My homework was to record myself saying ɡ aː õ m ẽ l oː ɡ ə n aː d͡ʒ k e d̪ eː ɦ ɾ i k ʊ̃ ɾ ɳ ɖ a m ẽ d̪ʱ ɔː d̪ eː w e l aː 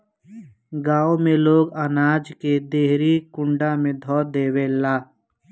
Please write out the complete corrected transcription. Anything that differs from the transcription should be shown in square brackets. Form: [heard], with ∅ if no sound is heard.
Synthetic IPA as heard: ɡ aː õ m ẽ l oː ɡ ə n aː d͡ʒ k e d̪ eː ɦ ɾ i k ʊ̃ [∅] ɳ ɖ a m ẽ d̪ʱ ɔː d̪ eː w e l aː